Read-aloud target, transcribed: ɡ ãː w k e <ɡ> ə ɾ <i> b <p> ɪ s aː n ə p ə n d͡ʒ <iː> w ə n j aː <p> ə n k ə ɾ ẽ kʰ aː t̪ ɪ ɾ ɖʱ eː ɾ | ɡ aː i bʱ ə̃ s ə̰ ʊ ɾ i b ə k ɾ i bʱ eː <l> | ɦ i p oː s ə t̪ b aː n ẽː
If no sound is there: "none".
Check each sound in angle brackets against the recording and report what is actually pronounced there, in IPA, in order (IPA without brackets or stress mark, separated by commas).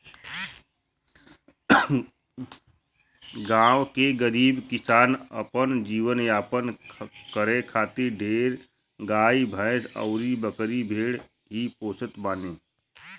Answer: ɡ, iː, k, iː, p, ɽ